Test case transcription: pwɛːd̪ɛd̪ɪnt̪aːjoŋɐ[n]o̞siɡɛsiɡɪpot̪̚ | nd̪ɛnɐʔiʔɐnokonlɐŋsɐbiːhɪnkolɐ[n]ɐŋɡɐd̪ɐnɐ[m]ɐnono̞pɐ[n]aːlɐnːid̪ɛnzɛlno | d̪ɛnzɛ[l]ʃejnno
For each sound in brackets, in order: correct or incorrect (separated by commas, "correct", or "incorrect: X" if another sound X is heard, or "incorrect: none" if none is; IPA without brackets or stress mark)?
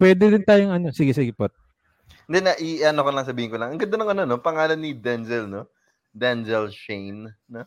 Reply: correct, incorrect: ŋ, incorrect: ŋ, incorrect: ŋ, correct